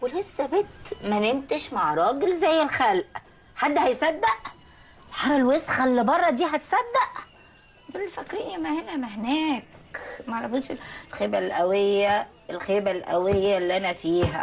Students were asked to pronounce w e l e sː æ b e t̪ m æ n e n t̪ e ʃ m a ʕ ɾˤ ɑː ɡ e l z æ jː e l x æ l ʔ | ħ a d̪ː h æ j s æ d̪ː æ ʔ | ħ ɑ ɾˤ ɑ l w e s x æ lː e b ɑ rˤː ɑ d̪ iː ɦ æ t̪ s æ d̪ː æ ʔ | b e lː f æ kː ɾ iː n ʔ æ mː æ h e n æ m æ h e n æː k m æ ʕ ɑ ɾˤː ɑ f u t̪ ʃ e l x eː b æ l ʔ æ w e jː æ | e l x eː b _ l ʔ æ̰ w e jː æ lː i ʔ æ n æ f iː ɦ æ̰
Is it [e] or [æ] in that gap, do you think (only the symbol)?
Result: æ